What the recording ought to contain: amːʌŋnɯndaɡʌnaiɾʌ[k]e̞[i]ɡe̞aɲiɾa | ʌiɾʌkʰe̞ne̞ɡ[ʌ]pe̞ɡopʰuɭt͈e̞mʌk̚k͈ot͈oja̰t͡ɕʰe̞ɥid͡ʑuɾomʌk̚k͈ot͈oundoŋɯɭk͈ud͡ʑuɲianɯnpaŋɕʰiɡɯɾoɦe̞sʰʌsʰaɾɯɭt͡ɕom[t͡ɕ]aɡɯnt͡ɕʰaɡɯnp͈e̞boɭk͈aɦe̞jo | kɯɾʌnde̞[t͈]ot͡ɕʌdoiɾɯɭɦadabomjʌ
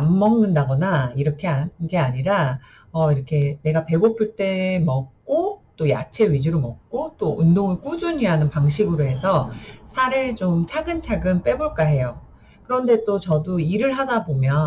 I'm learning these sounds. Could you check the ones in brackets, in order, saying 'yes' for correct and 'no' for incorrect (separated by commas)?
no, no, no, no, yes